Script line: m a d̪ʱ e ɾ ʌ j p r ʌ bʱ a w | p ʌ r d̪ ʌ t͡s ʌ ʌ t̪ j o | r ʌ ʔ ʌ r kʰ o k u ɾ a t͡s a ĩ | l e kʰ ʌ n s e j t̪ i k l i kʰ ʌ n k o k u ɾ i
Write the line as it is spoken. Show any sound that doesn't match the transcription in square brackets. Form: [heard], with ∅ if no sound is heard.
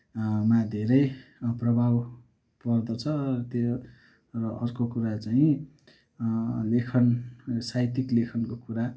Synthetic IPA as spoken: m a d̪ʱ e ɾ ʌ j p r ʌ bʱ a w | p ʌ r d̪ ʌ [t͡sʰ] ʌ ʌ t̪ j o | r ʌ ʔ ʌ r [k] o k u ɾ a t͡s a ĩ | l e kʰ ʌ n s [a] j t̪ i k l [e] kʰ ʌ n k o k u ɾ [a]